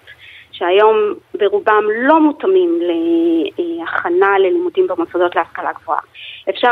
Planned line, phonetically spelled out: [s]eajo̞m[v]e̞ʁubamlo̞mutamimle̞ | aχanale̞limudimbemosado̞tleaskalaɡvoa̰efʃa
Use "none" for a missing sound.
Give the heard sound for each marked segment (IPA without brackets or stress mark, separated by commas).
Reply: ʃ, b